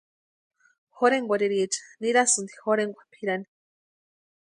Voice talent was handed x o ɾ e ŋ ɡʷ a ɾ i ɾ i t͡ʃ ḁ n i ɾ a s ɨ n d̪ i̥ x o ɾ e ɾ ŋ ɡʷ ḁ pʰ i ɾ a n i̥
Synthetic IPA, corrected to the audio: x o ɾ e ŋ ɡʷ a ɾ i ɾ i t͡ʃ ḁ n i ɾ a s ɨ n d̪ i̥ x o ɾ e ŋ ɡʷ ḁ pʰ i ɾ a n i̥

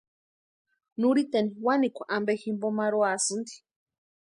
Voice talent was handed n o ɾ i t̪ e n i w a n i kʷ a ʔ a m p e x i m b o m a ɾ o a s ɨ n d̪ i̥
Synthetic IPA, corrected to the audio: n u ɾ i t̪ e n i w a n i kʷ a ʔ a m b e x i m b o m a ɾ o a s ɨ n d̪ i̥

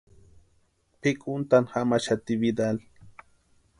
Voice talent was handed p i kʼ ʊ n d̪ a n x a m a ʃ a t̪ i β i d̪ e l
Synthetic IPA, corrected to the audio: p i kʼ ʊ n t̪ a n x a m a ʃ a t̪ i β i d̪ a l

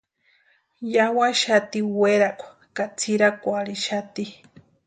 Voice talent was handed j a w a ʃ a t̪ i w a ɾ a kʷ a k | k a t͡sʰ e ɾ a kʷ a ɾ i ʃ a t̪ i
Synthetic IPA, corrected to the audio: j a w a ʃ a t̪ i w e ɾ a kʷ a | k a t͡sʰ i ɾ a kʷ a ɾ i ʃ a t̪ i

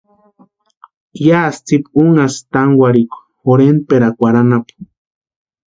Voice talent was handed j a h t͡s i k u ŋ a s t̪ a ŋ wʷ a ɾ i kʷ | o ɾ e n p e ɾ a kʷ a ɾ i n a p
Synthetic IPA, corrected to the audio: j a s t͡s i p u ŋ a s t̪ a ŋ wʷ a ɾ i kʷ | o ɾ e n p e ɾ a kʷ a ɾ a n a p

